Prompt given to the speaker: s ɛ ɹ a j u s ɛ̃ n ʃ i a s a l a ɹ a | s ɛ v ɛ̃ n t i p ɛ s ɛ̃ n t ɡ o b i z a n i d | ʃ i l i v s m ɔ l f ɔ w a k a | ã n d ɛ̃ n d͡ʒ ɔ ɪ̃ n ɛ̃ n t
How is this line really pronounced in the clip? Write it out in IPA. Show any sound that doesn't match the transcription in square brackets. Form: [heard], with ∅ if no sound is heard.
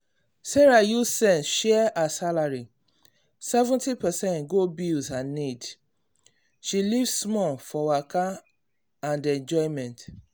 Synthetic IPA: s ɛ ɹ a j u s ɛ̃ n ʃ [ɛ] a s a l a ɹ [i] | s ɛ v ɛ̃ n t i p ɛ s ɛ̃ n t ɡ o b i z a n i d | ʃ i l i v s m ɔ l f ɔ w a k a | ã n d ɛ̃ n d͡ʒ ɔ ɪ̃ [m] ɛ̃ n t